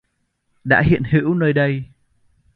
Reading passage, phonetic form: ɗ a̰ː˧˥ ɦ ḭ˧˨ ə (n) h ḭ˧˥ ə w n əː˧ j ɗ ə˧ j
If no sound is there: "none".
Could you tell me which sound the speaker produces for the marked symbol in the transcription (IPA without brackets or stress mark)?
n